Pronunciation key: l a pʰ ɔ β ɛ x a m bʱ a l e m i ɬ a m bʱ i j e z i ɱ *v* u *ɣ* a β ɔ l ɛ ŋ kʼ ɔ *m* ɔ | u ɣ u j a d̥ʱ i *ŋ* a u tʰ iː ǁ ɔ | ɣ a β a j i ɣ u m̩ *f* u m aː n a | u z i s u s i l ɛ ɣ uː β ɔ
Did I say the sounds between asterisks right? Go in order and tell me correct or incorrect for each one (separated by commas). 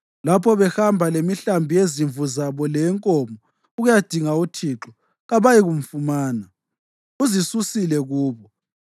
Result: correct, incorrect, correct, correct, correct